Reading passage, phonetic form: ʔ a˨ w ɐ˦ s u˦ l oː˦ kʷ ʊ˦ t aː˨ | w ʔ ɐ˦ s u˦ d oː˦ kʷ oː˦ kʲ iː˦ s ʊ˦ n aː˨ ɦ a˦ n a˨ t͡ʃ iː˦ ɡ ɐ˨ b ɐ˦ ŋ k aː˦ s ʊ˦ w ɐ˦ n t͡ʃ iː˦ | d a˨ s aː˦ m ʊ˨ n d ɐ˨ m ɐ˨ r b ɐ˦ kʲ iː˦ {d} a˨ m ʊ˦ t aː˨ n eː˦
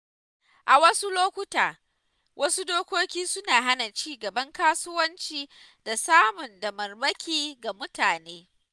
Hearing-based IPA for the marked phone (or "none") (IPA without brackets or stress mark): ɡ